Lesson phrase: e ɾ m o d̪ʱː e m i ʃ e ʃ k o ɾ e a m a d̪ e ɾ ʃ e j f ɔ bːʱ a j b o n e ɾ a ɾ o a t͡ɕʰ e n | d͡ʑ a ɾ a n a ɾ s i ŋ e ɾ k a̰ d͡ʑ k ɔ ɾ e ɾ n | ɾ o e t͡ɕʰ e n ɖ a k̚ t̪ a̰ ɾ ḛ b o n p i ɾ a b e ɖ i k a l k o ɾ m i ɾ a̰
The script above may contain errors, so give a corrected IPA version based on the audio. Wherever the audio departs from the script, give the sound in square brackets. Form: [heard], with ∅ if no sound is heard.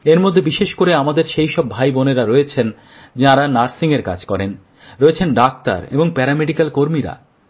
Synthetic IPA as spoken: e ɾ m o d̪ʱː e [b] i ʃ e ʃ k o ɾ e a m a d̪ e ɾ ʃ e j [ʃ] ɔ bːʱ a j b o n e ɾ a ɾ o [e] t͡ɕʰ e n | d͡ʑ a ɾ a n a ɾ s i ŋ e ɾ k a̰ d͡ʑ k ɔ ɾ e [∅] n | ɾ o e t͡ɕʰ e n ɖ a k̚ t̪ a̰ ɾ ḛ b o [ŋ] p [ɛ] ɾ a [m] e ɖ i k a l k o ɾ m i ɾ a̰